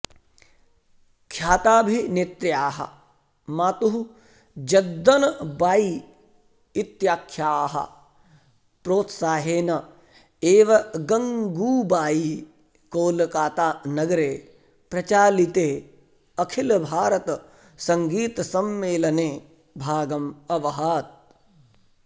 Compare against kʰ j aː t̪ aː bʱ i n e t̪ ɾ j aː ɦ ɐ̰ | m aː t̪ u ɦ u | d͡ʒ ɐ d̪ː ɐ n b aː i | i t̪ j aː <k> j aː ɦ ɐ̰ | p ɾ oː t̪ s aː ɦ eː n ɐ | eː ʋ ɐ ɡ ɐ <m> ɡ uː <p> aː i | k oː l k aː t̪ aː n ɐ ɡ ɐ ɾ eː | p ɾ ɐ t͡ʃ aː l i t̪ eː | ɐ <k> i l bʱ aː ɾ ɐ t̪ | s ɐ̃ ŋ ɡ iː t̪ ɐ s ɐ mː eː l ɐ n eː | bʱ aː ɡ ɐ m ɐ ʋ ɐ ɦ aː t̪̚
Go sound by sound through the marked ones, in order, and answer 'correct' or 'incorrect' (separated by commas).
incorrect, incorrect, incorrect, incorrect